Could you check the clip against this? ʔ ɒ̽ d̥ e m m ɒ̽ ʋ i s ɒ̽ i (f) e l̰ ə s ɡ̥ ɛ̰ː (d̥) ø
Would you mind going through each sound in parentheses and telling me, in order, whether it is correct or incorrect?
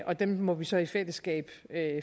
correct, incorrect: b̥

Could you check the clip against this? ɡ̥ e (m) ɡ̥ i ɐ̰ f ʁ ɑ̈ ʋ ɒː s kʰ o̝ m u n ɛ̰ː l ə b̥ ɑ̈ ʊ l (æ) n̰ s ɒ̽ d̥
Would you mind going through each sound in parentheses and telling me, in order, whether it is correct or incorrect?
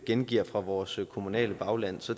incorrect: n, correct

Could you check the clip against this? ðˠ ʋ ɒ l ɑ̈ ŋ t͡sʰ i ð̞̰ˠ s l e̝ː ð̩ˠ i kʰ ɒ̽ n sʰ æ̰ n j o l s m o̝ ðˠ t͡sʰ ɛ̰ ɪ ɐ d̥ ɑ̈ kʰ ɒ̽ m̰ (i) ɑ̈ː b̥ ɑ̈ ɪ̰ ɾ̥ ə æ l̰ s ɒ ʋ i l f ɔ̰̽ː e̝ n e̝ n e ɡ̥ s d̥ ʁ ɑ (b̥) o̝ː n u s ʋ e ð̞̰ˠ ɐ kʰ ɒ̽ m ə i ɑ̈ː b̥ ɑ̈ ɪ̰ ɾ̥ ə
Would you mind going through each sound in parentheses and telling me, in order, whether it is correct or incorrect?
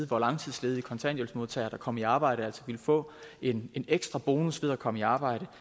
correct, correct

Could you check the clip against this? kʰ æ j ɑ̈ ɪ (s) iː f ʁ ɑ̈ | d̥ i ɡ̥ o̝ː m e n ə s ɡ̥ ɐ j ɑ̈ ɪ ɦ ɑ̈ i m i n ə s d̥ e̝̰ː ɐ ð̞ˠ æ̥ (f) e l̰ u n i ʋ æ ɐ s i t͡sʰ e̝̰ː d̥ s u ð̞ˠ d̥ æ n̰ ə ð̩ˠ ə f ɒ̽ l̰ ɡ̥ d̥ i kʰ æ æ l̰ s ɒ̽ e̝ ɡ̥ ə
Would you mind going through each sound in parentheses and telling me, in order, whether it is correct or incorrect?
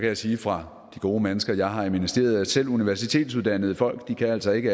correct, incorrect: s

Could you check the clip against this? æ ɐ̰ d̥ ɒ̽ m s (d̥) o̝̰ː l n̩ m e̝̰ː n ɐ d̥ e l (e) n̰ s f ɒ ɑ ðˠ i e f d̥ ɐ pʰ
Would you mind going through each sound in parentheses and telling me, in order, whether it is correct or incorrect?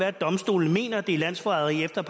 correct, incorrect: æ

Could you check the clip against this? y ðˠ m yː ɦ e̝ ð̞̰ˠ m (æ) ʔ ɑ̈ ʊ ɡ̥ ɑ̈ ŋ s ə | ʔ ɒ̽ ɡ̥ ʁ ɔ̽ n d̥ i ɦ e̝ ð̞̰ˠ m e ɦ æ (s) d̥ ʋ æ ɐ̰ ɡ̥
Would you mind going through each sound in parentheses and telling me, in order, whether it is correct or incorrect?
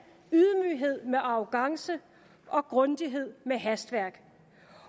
incorrect: e, correct

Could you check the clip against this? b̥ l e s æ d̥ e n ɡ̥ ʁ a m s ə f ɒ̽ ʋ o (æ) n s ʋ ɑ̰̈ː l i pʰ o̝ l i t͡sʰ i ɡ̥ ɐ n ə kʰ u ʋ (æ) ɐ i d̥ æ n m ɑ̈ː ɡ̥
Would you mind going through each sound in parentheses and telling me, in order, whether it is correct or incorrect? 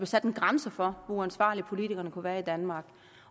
correct, incorrect: æː

